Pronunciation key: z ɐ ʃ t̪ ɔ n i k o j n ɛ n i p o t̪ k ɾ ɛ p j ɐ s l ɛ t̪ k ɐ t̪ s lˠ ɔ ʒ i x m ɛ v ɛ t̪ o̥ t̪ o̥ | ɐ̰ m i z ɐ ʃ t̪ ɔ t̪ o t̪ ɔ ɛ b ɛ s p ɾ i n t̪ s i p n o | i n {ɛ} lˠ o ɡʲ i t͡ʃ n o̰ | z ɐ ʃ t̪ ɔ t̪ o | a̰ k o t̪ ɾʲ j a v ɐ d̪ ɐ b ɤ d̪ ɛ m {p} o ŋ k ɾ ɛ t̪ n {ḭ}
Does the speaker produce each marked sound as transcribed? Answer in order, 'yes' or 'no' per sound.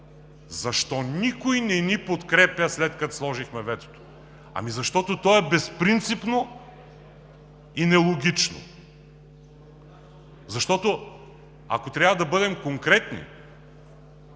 yes, no, yes

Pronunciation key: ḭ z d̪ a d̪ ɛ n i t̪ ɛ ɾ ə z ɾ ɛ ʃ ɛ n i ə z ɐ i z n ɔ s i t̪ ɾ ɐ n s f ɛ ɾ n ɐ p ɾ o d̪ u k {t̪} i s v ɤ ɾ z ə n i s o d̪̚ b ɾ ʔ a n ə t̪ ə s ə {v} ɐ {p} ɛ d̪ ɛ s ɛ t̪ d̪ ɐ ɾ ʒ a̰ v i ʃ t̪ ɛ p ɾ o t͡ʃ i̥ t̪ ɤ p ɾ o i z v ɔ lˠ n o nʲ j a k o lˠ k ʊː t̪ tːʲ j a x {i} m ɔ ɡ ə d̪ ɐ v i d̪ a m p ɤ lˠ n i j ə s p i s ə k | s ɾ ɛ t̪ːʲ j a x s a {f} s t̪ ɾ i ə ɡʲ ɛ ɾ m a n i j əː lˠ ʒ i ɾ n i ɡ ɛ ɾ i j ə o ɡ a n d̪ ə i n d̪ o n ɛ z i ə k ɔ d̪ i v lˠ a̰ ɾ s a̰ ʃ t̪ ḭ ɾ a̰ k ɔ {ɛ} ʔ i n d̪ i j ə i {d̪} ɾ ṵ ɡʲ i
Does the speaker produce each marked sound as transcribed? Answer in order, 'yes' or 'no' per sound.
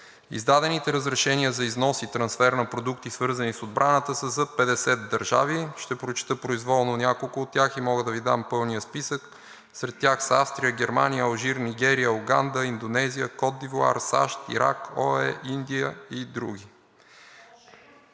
yes, no, yes, yes, yes, yes, yes

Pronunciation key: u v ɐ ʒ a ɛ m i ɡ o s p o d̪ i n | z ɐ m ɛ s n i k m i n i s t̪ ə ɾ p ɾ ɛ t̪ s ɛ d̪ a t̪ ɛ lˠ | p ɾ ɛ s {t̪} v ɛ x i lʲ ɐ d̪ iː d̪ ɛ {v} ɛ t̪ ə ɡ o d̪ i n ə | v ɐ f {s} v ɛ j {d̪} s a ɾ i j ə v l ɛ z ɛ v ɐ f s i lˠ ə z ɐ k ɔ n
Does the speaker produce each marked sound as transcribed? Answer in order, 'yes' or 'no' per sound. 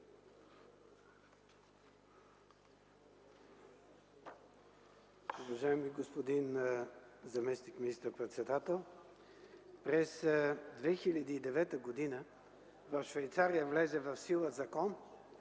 no, yes, no, no

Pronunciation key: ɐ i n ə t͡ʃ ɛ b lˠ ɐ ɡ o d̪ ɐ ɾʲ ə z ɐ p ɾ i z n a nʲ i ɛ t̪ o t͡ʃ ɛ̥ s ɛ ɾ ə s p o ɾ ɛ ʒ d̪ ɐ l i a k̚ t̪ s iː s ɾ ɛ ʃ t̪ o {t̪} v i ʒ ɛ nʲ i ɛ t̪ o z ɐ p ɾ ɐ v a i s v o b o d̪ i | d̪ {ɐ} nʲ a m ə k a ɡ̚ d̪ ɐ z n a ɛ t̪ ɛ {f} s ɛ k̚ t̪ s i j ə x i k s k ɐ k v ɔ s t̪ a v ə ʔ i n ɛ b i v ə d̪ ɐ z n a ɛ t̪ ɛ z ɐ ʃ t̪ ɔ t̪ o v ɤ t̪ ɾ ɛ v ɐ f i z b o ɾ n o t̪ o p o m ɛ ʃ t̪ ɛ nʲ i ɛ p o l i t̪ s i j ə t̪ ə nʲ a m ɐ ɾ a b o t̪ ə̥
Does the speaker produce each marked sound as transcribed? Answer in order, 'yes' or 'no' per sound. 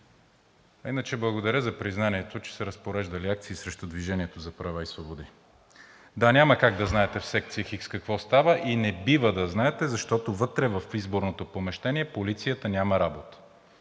no, no, yes

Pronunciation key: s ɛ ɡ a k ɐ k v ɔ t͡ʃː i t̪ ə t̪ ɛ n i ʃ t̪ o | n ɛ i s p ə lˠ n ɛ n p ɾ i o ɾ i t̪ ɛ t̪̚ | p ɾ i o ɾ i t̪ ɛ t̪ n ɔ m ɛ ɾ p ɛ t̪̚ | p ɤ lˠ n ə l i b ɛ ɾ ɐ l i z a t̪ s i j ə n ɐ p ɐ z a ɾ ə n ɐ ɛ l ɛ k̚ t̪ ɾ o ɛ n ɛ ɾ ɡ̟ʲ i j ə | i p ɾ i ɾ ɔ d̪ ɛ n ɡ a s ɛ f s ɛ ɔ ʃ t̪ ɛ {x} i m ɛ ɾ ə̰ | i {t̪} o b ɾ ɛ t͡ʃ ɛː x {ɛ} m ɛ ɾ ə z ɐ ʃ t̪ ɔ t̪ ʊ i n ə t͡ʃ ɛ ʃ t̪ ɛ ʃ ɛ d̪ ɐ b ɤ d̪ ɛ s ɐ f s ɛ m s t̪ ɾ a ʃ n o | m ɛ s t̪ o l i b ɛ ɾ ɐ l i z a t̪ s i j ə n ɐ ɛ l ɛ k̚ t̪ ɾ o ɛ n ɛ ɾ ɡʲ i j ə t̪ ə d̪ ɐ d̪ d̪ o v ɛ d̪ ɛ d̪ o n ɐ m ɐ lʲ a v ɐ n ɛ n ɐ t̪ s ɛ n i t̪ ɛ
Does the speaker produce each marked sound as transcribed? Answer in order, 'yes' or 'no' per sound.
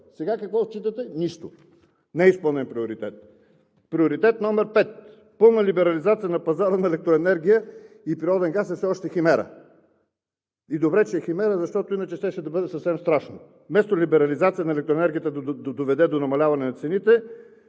yes, no, no

